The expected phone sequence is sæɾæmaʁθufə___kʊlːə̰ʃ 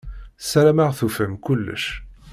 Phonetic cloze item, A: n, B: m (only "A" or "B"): B